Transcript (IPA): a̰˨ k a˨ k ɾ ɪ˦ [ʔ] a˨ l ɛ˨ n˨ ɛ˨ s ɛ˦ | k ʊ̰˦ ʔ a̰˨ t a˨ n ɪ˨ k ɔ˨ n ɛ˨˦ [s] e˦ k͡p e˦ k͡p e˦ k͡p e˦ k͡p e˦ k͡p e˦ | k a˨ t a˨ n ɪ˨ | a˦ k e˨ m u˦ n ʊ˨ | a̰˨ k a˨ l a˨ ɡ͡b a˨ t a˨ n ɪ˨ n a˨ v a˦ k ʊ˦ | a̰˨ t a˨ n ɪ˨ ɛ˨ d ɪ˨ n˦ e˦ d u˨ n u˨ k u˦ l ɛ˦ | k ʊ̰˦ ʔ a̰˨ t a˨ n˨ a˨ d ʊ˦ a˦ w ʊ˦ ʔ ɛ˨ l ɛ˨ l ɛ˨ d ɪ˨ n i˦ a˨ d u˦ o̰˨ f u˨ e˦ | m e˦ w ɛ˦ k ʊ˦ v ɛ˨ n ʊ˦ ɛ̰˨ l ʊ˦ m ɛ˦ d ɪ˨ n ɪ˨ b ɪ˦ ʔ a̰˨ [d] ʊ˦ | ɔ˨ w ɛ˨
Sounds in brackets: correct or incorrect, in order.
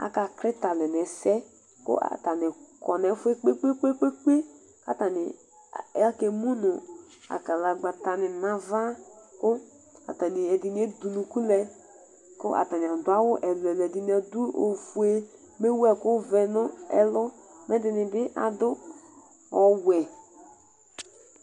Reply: incorrect, incorrect, correct

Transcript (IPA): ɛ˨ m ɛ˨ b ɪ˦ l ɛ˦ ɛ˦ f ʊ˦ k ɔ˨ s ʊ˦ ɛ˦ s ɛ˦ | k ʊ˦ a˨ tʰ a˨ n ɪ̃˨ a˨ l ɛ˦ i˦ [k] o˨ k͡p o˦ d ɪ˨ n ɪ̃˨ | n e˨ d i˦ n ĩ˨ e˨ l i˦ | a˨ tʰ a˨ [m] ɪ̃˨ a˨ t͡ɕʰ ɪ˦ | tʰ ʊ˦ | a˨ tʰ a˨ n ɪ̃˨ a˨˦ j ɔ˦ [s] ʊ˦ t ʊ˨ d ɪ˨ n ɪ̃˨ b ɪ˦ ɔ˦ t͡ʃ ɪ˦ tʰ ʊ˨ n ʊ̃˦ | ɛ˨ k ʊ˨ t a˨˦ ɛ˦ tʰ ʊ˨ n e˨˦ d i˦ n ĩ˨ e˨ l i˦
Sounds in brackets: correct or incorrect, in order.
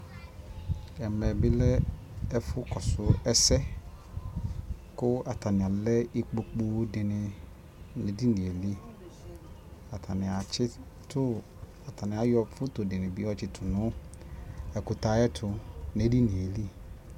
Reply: incorrect, incorrect, incorrect

